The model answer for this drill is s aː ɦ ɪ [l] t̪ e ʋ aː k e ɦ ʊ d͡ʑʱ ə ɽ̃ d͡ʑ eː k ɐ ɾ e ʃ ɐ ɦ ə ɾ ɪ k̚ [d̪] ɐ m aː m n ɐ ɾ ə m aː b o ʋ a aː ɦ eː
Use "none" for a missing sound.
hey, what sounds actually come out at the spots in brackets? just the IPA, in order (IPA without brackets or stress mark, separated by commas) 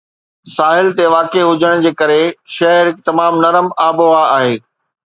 l, t̪